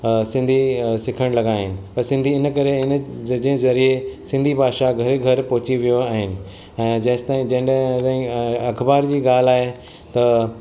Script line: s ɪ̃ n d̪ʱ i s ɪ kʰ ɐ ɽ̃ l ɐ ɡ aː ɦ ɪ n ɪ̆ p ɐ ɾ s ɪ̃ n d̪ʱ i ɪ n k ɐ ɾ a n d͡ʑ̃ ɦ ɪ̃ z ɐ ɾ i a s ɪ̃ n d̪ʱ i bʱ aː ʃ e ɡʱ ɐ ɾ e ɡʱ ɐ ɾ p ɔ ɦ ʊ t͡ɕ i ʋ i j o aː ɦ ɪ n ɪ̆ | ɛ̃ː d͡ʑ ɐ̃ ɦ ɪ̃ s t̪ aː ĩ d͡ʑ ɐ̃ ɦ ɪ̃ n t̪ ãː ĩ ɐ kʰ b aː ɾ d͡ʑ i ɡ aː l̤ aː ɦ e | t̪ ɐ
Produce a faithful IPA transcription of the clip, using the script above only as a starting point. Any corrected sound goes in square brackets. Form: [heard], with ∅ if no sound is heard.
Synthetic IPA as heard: s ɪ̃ n d̪ʱ i s ɪ kʰ [ə] ɽ̃ l ɐ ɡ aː ɦ ɪ n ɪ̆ p ɐ ɾ s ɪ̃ n d̪ʱ i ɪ n k ɐ ɾ [e] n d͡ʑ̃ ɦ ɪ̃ z ɐ ɾ i [e] s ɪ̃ n d̪ʱ i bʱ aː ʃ [a] ɡʱ ɐ ɾ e ɡʱ ɐ ɾ p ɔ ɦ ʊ t͡ɕ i ʋ i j o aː ɦ ɪ n ɪ̆ | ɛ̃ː d͡ʑ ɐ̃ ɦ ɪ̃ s t̪ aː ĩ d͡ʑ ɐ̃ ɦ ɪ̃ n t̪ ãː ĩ ɐ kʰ b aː ɾ d͡ʑ [iː] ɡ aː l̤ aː ɦ e | t̪ ɐ

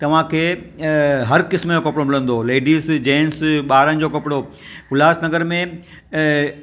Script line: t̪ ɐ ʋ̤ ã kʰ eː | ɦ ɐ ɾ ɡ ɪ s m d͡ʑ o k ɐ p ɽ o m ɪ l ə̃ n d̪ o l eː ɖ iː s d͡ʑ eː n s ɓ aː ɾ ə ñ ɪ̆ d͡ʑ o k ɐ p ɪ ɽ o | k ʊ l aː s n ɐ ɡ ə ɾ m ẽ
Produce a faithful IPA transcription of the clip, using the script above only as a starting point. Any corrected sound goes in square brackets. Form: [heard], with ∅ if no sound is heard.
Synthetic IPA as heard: t̪ ɐ ʋ̤ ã kʰ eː | ɦ ɐ ɾ [k] ɪ s m d͡ʑ o k ɐ p ɽ o m ɪ l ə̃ n d̪ o l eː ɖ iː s d͡ʑ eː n s ɓ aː ɾ ə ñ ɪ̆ d͡ʑ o k ɐ p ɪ ɽ o | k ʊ l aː s n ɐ ɡ ə ɾ m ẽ

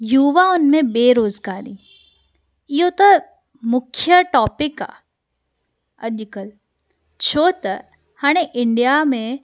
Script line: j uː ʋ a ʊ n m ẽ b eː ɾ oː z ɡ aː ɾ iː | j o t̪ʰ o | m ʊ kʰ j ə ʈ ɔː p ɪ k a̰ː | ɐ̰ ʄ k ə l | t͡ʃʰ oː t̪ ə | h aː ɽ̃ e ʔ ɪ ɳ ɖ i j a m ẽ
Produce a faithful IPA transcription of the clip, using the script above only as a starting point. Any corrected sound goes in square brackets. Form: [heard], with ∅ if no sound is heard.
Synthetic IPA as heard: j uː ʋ a ʊ n m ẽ b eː ɾ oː z ɡ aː ɾ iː | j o [t̪] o | m ʊ kʰ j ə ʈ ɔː p ɪ k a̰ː | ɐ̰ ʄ k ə l | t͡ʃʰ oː t̪ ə | h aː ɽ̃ e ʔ ɪ ɳ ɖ i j a m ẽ

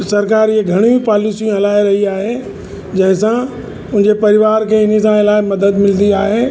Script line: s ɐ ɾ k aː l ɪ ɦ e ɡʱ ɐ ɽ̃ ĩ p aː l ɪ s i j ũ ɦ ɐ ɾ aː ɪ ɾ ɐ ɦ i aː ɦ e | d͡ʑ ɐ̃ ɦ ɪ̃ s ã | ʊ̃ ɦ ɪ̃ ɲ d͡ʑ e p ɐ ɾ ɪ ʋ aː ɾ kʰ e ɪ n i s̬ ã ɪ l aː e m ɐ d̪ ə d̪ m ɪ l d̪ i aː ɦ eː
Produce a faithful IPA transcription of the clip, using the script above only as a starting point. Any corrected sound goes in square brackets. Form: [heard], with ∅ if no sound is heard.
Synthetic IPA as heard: s ɐ ɾ k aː [ɾ] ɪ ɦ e ɡʱ ɐ ɽ̃ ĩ p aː l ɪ s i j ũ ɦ ɐ [l] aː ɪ ɾ ɐ ɦ i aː ɦ e | d͡ʑ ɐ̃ ɦ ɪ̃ s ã | ʊ̃ ɦ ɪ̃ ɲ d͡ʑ e p ɐ ɾ ɪ ʋ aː ɾ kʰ e ɪ n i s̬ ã ɪ l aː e m ɐ d̪ ə d̪ m ɪ l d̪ i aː ɦ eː

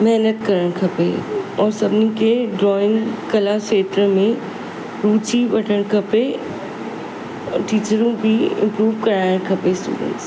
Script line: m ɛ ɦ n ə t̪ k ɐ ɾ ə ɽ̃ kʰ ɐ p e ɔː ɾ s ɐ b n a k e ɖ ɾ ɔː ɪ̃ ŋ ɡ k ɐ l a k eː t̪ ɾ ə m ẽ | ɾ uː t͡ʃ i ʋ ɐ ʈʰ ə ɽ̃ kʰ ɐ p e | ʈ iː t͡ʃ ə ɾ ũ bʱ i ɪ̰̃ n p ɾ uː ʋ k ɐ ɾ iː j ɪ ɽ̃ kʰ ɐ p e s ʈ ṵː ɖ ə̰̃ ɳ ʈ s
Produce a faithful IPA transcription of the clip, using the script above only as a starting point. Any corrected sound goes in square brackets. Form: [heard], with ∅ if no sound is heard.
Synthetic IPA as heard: m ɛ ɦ n ə t̪ k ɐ ɾ ə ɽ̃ kʰ ɐ p e ɔː ɾ s ɐ b n [i] k e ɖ ɾ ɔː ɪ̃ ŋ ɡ k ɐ l a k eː t̪ ɾ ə m ẽ | ɾ uː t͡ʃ i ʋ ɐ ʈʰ ə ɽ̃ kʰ ɐ p e | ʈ iː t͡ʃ ə ɾ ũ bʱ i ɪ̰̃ [m] p ɾ uː ʋ k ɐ ɾ [aː] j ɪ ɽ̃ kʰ ɐ p e s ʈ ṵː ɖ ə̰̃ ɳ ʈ s

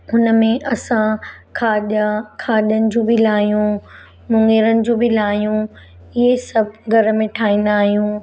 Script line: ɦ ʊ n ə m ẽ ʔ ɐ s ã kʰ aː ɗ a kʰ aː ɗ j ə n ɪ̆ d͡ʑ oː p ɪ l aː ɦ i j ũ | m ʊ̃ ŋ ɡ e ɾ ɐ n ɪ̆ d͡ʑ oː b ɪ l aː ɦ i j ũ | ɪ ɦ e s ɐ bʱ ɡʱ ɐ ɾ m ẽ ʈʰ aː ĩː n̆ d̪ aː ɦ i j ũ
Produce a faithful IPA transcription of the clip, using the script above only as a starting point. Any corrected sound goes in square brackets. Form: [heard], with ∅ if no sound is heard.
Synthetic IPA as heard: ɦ ʊ n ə m ẽ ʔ ɐ s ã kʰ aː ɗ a kʰ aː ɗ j ə n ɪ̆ d͡ʑ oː [b] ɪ l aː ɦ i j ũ | m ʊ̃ ŋ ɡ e ɾ [ə] n ɪ̆ d͡ʑ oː b ɪ l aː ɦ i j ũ | ɪ ɦ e s ɐ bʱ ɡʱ ɐ ɾ m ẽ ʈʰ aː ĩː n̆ d̪ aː ɦ i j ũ

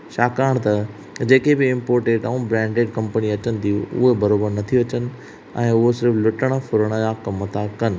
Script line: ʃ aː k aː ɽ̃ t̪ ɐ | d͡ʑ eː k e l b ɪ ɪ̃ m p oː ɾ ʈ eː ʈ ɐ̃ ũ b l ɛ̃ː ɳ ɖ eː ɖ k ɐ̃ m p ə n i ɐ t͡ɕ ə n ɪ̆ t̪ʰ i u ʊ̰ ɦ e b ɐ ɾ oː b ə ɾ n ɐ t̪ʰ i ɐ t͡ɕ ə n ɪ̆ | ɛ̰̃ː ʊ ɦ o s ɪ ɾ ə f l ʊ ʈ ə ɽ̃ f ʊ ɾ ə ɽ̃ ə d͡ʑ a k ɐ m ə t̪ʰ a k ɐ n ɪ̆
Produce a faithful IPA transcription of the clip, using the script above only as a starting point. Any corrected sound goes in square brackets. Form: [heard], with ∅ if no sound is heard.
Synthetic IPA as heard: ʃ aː k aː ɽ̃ t̪ ɐ | d͡ʑ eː k e [∅] b ɪ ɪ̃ m p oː ɾ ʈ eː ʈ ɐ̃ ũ b [ɾ] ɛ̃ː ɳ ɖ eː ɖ k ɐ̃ m p ə n i ɐ t͡ɕ ə n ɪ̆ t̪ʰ i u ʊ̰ ɦ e b ɐ ɾ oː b ə ɾ n ɐ t̪ʰ i ɐ t͡ɕ ə n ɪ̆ | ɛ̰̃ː ʊ ɦ o s ɪ ɾ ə f l ʊ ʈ ə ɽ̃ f ʊ ɾ ə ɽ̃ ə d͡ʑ a k ɐ m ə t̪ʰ a k ɐ n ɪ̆

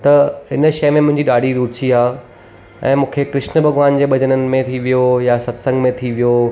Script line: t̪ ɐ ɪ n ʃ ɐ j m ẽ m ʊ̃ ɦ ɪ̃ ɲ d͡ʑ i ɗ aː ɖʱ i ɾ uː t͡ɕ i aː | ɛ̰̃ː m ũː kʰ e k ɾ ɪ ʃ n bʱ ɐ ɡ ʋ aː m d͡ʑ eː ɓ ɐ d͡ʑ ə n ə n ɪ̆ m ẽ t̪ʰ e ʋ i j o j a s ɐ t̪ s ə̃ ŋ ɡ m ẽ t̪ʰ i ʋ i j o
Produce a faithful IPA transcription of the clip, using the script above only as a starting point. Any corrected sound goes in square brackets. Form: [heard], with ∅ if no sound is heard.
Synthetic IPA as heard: t̪ ɐ ɪ n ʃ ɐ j m ẽ m ʊ̃ ɦ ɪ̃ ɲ d͡ʑ i ɗ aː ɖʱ i ɾ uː t͡ɕ i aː | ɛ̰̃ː m ũː kʰ e k ɾ ɪ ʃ n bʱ ɐ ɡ ʋ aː [n] d͡ʑ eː ɓ ɐ d͡ʑ ə n ə n ɪ̆ m ẽ t̪ʰ [i] ʋ i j o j a s ɐ t̪ s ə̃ ŋ ɡ m ẽ t̪ʰ i ʋ i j o

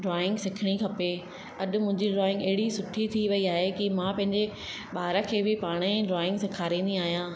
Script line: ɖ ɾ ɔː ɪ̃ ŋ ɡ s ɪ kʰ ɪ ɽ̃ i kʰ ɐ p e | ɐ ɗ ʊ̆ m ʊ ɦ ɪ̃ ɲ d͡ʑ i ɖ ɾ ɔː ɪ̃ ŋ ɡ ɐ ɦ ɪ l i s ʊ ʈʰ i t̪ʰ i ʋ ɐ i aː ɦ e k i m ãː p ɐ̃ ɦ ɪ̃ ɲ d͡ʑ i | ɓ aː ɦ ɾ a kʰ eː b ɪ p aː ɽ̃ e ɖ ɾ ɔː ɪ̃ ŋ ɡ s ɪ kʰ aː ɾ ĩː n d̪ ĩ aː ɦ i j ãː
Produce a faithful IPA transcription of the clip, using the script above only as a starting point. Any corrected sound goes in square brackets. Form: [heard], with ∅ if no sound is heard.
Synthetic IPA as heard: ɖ ɾ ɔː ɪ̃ ŋ ɡ s ɪ kʰ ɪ ɽ̃ i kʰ ɐ p e | ɐ ɗ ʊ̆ m [ʊ̃] ɦ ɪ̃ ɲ d͡ʑ i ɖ ɾ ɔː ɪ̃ ŋ ɡ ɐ ɦ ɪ [ɽ] i s ʊ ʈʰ i t̪ʰ i ʋ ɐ i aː ɦ e k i m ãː p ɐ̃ ɦ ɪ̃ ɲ d͡ʑ [e] | ɓ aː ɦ ɾ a kʰ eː b ɪ p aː ɽ̃ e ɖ ɾ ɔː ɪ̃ ŋ ɡ s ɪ kʰ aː ɾ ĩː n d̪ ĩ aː ɦ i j ãː

